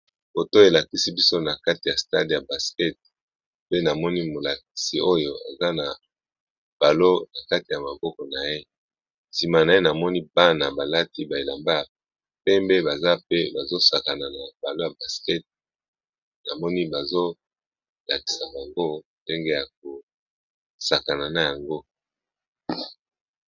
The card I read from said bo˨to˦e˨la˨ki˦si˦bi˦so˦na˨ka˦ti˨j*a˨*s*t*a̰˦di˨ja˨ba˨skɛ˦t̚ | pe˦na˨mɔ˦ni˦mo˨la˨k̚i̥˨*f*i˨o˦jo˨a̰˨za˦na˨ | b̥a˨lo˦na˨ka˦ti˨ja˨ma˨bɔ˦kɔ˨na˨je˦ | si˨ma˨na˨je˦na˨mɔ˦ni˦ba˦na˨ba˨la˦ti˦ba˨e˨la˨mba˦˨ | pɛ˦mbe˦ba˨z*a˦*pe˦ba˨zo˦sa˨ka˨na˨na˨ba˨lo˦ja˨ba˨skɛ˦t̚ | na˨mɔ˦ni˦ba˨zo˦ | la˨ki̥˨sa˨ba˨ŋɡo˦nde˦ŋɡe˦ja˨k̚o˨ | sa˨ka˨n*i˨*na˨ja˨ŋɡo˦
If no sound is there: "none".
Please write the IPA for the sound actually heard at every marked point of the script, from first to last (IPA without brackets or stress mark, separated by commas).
a˨, t, s, a˦, a˨